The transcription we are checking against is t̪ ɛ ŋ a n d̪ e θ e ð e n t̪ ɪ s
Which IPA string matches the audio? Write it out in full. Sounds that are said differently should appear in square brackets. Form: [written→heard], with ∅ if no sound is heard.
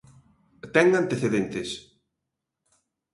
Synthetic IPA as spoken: t̪ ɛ ŋ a n [d̪→t̪] e θ e ð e n t̪ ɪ s

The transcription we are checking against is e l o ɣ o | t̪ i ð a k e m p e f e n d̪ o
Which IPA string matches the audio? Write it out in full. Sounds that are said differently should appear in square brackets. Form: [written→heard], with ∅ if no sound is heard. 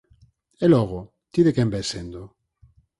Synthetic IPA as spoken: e l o ɣ o | t̪ i ð [a→e] k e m [p→b] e [f→s] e n d̪ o

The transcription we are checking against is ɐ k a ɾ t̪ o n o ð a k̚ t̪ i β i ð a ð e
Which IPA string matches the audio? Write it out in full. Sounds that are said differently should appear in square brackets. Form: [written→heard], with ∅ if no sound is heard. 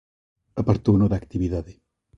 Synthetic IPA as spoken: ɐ [k→p] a ɾ t̪ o n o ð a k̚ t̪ i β i ð a ð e

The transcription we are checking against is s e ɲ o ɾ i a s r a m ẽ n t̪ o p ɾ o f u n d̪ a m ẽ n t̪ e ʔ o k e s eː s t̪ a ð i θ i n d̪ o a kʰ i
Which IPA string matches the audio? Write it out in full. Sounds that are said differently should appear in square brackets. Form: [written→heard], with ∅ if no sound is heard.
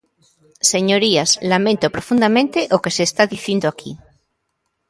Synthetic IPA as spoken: s e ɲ o ɾ i a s [r→l] a m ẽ n t̪ o p ɾ o f u n d̪ a m ẽ n t̪ e ʔ o k e s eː s t̪ a ð i θ i n d̪ o a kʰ i

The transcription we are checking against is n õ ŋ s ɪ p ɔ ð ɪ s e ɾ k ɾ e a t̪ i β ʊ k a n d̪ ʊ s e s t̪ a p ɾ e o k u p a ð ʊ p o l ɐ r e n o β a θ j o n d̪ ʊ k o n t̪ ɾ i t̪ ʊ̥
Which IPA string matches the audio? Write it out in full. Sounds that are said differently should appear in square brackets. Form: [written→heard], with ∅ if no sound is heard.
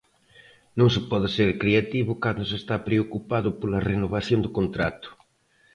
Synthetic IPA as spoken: n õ ŋ s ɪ p ɔ ð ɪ s e ɾ k ɾ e a t̪ i β ʊ k a n d̪ ʊ s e s t̪ a p ɾ e o k u p a ð ʊ p o l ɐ r e n o β a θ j o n d̪ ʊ k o n t̪ ɾ [i→a] t̪ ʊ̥

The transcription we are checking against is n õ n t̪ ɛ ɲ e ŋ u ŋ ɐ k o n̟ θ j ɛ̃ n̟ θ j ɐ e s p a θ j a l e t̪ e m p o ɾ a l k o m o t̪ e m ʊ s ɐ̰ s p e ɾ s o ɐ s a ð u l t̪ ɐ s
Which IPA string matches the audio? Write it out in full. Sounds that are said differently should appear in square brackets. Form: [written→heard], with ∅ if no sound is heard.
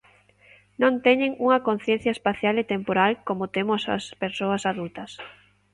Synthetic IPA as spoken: n õ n t̪ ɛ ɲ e ŋ u ŋ ɐ k o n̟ θ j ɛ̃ n̟ θ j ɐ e s p a θ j a l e t̪ e m p o ɾ a l k o m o t̪ e m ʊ s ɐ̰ s p e ɾ s o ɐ s a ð u l t̪ ɐ s

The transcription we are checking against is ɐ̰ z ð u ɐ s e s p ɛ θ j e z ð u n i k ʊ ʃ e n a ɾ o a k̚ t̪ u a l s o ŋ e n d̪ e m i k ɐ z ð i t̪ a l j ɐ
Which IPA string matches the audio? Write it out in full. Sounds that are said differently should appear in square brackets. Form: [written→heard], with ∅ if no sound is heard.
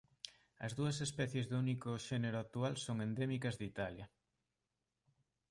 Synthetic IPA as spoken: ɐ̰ z ð u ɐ s e s p ɛ θ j e z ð u n i k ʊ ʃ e n [a→e] ɾ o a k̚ t̪ u a l s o ŋ e n d̪ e m i k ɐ z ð i t̪ a l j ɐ

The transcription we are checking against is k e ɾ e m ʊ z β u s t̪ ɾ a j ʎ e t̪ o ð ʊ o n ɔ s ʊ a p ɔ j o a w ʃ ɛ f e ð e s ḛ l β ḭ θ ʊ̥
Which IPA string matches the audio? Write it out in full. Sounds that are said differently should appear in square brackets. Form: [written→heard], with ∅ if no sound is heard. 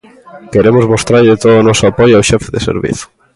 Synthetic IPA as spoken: k e ɾ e m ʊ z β [u→o] s t̪ ɾ a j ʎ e t̪ o ð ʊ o n ɔ s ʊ a p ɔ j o a w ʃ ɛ f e ð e s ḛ [l→ɾ] β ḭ θ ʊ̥

